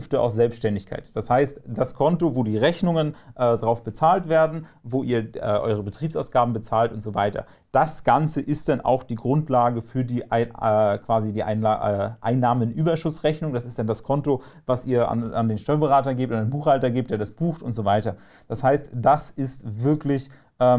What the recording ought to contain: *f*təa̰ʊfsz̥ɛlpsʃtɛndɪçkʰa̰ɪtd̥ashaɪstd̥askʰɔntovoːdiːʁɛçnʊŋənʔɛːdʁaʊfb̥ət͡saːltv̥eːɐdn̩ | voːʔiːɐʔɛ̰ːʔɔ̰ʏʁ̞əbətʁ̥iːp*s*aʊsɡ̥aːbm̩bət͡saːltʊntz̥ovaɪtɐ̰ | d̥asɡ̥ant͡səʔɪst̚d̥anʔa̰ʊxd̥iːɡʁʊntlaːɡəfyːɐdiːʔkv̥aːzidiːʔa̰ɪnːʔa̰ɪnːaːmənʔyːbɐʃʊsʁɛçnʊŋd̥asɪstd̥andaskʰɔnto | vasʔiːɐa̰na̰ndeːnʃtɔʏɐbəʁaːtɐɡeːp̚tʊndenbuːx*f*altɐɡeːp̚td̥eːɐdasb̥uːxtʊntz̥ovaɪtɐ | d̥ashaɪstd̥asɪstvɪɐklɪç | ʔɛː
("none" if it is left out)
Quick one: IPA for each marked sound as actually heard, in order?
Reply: f, s, h

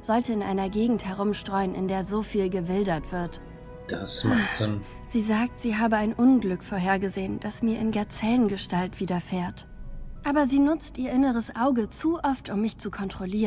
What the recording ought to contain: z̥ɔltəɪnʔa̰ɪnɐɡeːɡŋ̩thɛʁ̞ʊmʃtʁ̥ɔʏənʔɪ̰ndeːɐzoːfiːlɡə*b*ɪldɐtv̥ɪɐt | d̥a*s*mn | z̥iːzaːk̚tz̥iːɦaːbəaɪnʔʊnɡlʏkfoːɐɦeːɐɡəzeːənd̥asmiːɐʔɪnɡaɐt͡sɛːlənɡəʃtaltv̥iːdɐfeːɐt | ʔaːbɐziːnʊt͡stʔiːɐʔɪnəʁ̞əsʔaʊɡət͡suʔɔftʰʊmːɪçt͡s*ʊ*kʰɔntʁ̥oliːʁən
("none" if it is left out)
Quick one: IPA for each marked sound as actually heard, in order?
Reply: v, s, u

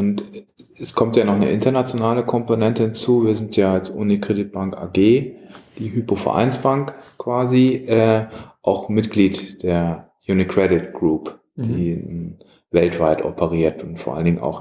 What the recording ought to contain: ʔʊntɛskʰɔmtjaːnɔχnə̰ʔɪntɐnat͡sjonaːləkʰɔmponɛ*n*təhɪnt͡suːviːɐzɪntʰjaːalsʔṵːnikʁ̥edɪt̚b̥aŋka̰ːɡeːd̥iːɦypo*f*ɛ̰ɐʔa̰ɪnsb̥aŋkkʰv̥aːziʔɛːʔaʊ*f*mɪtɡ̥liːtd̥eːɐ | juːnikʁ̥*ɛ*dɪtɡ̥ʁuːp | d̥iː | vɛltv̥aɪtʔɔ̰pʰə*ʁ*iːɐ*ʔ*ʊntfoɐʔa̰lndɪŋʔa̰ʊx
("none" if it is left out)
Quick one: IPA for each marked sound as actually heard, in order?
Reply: n, f, x, ɛ, ʁ, t

